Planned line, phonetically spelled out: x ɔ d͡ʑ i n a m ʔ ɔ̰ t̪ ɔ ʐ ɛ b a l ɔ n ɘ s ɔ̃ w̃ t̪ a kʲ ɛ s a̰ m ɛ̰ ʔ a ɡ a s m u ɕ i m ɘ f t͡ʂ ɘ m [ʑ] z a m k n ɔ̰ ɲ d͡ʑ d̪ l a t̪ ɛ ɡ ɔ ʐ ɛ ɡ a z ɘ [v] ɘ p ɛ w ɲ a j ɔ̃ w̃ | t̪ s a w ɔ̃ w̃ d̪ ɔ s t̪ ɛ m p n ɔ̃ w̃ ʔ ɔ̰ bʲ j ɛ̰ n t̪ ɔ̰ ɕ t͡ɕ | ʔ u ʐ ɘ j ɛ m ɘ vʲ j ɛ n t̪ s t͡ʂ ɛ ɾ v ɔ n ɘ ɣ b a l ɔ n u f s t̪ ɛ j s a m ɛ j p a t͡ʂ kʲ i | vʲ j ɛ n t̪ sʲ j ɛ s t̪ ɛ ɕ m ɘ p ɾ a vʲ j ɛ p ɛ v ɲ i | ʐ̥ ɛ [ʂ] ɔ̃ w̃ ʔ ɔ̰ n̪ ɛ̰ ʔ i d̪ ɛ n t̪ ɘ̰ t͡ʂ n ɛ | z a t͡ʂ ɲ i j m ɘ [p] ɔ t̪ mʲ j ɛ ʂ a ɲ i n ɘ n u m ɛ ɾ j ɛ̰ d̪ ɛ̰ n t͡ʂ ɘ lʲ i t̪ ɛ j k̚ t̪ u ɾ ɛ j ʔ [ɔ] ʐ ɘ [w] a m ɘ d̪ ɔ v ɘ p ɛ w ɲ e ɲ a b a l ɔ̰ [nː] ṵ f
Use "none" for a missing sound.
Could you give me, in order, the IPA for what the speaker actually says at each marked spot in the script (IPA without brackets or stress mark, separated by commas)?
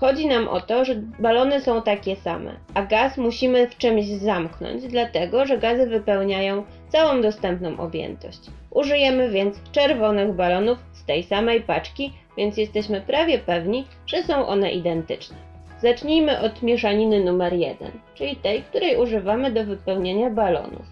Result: ʑ, v, s, ʔ, u, v, n